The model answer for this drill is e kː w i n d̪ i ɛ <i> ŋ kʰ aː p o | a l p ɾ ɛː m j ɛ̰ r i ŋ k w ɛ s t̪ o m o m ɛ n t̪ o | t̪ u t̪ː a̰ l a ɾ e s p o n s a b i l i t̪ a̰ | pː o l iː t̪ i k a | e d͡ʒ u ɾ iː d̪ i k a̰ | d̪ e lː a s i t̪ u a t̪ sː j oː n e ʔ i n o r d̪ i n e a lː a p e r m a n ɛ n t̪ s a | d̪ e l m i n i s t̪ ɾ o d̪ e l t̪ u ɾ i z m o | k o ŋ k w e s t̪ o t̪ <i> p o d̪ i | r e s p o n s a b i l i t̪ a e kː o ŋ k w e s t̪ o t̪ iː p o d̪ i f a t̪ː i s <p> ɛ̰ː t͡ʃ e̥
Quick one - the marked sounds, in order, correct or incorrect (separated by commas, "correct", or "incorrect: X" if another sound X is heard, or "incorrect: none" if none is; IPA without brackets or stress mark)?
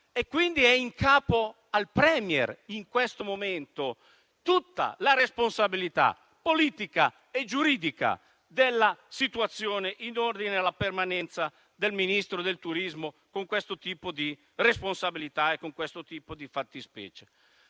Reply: correct, incorrect: iː, correct